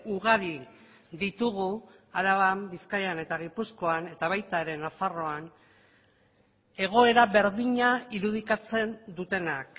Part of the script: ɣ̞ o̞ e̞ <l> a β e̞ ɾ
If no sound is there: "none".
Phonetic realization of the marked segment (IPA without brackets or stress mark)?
ɾ